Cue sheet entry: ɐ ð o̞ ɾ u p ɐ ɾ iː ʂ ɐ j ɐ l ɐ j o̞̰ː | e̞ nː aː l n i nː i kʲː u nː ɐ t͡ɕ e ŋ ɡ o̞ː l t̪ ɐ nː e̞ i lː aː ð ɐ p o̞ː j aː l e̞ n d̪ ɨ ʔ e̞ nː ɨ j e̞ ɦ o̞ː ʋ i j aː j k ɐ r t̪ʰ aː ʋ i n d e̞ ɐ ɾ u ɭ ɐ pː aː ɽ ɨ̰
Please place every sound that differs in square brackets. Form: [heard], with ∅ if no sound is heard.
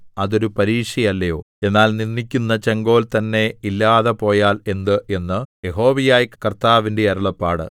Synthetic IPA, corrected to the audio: ɐ ð o̞ ɾ u p ɐ ɾ iː ʂ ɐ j ɐ [lː] ɐ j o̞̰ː | e̞ nː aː l n i nː i kʲː u nː ɐ t͡ɕ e ŋ ɡ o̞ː l t̪ ɐ nː e̞ i lː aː ð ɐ p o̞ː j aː l e̞ n d̪ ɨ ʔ e̞ nː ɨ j e̞ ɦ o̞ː ʋ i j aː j k ɐ r [t̪] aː ʋ i n d e̞ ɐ ɾ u ɭ ɐ pː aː ɽ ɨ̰

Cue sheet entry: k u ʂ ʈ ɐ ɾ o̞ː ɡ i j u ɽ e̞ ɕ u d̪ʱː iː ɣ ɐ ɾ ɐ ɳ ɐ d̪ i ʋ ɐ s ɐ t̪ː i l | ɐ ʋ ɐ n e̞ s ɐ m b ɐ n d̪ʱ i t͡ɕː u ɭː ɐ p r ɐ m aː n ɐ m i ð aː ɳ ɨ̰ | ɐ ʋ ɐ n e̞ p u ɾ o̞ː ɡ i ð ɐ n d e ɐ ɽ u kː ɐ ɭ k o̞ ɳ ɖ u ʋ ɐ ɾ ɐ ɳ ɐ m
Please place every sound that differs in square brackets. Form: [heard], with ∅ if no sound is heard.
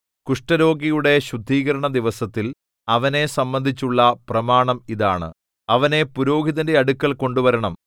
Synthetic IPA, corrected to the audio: k u ʂ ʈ ɐ ɾ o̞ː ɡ i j u ɽ e̞ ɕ u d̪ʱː iː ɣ ɐ ɾ ɐ ɳ ɐ d̪ i ʋ ɐ s ɐ t̪ː i l | ɐ ʋ ɐ n e̞ s ɐ m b ɐ n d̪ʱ i t͡ɕː u ɭː ɐ p r ɐ m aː [ɳ] ɐ m i ð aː ɳ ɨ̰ | ɐ ʋ ɐ n e̞ p u ɾ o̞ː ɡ i ð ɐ n d e ɐ ɽ u kː ɐ ɭ k o̞ ɳ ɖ u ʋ ɐ ɾ ɐ ɳ ɐ m

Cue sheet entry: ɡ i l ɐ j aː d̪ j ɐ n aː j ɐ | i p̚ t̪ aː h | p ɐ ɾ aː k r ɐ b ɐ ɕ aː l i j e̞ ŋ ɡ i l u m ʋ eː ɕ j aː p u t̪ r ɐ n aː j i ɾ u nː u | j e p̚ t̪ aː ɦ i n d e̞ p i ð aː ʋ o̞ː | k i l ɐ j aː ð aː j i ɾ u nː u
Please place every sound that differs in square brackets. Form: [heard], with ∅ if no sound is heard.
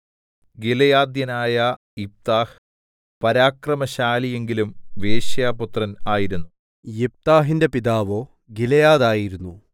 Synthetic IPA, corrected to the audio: ɡ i l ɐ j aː d̪ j ɐ n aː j ɐ | i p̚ t̪ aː h | p ɐ ɾ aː k r ɐ [m] ɐ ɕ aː l i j e̞ ŋ ɡ i l u m ʋ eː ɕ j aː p u t̪ r ɐ n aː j i ɾ u nː u | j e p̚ t̪ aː ɦ i n d e̞ p i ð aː ʋ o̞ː | [ɡ] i l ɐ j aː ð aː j i ɾ u nː u

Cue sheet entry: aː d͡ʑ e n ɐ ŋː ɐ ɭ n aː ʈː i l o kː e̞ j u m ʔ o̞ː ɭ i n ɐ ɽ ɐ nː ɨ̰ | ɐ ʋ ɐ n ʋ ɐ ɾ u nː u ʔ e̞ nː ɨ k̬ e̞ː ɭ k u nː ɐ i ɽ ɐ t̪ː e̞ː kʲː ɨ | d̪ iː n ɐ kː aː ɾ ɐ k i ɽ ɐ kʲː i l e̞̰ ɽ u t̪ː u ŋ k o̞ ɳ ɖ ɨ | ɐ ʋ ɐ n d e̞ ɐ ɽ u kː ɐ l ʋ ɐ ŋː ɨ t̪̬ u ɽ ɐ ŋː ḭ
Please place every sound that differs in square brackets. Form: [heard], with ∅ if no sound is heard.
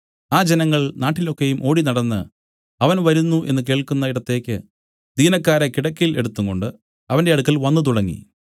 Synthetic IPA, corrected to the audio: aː d͡ʑ e n ɐ ŋː ɐ ɭ n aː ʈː i l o kː e̞ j u m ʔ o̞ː [ɽ] i n ɐ ɽ ɐ nː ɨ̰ | ɐ ʋ ɐ n ʋ ɐ ɾ u nː u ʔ e̞ nː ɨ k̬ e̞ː ɭ k u nː ɐ i ɽ ɐ t̪ː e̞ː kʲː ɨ | d̪ iː n ɐ kː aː ɾ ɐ k i ɽ ɐ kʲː i l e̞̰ ɽ u t̪ː u ŋ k o̞ ɳ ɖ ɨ | ɐ ʋ ɐ n d e̞ ɐ ɽ u kː ɐ l ʋ ɐ [nː] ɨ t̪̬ u ɽ ɐ ŋː ḭ

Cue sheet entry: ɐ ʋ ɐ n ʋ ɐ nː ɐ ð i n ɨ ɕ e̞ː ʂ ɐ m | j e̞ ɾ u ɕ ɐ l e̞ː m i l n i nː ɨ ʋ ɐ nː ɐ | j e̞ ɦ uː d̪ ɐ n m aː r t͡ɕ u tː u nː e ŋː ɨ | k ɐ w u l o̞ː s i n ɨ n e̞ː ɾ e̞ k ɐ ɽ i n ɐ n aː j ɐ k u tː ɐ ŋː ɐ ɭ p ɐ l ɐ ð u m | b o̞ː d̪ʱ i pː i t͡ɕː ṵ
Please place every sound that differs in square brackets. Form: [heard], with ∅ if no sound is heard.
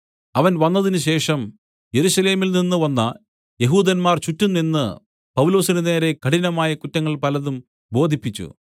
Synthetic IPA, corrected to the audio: ɐ ʋ ɐ n ʋ ɐ nː ɐ ð i n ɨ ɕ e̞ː ʂ ɐ m | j e̞ ɾ u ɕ ɐ l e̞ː m i l n i nː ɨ ʋ ɐ nː ɐ | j e̞ ɦ uː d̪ ɐ n m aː r t͡ɕ u tː u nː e [nː] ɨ | [p] ɐ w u l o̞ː s i n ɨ n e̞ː ɾ e̞ k ɐ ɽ i n ɐ [m] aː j ɐ k u tː ɐ ŋː ɐ ɭ p ɐ l ɐ ð u m | b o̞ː d̪ʱ i pː i t͡ɕː ṵ

